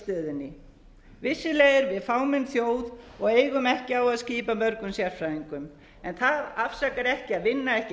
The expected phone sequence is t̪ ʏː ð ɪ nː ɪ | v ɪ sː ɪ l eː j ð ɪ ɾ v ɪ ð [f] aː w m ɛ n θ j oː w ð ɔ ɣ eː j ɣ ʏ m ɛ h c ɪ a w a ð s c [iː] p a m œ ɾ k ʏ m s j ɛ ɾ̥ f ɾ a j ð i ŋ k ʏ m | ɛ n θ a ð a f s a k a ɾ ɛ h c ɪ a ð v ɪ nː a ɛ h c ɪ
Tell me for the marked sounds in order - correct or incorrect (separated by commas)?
correct, correct